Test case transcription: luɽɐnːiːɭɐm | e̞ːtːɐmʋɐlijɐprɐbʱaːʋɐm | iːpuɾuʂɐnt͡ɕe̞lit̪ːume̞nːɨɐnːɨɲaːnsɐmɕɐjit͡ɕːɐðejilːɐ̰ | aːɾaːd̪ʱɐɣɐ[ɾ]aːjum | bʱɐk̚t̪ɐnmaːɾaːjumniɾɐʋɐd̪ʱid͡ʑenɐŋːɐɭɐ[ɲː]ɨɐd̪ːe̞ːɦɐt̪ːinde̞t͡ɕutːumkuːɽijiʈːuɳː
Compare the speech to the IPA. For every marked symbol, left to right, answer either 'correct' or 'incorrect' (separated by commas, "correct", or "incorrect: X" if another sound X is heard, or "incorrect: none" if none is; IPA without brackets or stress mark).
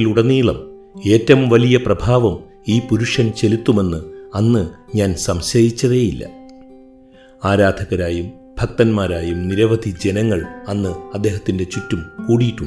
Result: correct, incorrect: nː